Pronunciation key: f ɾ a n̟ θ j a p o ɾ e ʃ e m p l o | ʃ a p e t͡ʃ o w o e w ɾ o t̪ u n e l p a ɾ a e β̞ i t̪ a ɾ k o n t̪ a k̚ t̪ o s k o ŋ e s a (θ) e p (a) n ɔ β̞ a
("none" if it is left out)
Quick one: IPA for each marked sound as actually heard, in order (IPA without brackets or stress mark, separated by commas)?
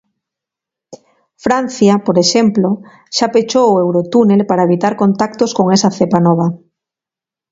θ, a